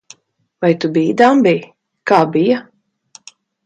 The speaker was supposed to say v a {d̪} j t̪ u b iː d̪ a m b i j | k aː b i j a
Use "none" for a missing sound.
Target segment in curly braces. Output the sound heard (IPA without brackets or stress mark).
none